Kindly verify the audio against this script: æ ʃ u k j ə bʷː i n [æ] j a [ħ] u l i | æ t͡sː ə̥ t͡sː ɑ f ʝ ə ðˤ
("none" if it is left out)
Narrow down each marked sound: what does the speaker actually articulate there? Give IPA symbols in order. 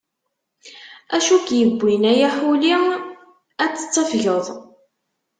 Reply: æ, ħ

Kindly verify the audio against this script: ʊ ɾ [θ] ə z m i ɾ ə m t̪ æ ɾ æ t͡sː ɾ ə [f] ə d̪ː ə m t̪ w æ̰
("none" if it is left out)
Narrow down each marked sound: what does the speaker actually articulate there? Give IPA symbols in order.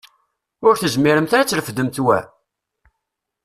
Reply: θ, f

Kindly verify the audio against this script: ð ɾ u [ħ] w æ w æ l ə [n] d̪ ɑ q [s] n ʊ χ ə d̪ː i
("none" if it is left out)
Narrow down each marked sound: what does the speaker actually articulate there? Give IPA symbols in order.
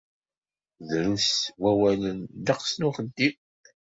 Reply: s, n, s

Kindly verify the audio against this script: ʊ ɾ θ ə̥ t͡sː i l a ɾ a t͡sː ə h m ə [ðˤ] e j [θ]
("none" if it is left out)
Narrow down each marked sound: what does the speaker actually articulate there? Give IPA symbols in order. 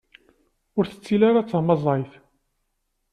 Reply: zˤ, θ

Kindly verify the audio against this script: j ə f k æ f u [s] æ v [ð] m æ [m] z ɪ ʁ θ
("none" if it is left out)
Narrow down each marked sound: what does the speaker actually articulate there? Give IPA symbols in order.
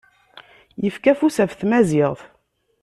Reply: s, θ, none

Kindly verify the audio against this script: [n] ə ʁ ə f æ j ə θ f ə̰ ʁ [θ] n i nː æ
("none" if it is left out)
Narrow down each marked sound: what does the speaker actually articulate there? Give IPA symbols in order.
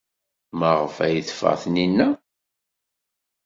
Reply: m, θ

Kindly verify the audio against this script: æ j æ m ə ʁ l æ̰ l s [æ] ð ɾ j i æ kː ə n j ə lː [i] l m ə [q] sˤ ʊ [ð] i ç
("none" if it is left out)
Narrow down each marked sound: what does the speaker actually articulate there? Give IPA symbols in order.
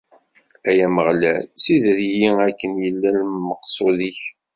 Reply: i, æ, q, ð

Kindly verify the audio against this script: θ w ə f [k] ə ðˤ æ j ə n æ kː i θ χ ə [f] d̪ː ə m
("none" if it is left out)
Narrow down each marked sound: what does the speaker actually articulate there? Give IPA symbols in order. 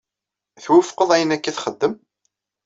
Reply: q, none

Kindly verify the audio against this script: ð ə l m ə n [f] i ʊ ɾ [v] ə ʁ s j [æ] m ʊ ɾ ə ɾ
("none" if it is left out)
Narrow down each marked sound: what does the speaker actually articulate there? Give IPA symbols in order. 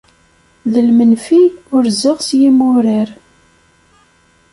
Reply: f, z, i

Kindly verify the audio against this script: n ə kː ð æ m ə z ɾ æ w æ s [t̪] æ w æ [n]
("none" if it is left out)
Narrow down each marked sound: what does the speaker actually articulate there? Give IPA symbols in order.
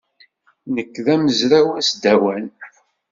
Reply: d̪, n

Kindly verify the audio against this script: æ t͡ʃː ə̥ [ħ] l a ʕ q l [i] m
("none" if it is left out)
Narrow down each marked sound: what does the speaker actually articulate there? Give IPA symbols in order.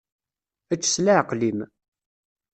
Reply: s, i

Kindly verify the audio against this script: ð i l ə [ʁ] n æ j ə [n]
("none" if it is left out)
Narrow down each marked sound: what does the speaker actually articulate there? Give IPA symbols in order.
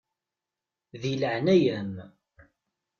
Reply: ʕ, m

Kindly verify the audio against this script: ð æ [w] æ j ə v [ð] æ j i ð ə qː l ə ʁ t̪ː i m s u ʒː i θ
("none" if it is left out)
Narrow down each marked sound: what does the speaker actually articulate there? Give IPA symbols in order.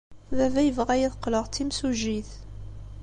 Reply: v, ʁ

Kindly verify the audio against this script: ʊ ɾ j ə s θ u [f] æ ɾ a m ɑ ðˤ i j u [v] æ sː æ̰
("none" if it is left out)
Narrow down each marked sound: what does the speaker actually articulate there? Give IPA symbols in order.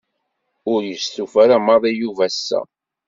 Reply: f, v

